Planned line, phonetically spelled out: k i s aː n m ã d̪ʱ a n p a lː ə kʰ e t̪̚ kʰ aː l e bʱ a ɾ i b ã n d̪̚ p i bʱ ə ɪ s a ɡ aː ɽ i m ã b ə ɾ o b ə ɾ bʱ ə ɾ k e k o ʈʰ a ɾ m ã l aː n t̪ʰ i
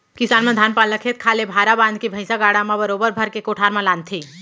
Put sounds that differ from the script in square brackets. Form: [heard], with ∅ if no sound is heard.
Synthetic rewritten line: k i s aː n m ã d̪ʱ a n p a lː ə kʰ e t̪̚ kʰ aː l e bʱ a ɾ [a] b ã n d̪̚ [k] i bʱ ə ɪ s a ɡ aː ɽ [a] m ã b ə ɾ o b ə ɾ bʱ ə ɾ k e k o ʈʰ a ɾ m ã l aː n t̪ʰ i